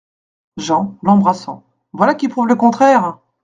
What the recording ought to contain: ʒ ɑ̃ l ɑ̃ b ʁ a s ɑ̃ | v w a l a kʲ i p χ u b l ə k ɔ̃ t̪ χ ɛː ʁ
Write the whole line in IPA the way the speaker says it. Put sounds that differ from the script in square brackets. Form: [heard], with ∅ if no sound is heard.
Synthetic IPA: ʒ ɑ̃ l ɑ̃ b ʁ a s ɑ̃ | v w a l a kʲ i p χ u [v] l ə k ɔ̃ t̪ χ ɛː ʁ